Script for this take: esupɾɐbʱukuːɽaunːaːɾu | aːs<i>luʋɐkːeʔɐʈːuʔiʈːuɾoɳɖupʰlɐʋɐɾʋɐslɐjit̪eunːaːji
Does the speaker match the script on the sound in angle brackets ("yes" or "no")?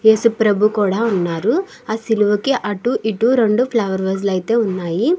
yes